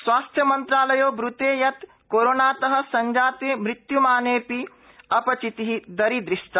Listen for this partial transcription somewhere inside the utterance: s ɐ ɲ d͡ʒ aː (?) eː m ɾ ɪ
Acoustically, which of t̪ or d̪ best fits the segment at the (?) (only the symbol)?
t̪